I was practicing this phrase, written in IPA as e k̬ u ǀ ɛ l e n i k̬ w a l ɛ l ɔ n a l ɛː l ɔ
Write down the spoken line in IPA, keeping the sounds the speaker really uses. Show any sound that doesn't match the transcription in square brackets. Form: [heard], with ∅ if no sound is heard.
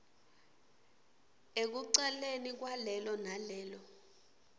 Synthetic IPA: e k̬ u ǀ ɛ l e n i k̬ w a l ɛ l ɔ n a l ɛː l ɔ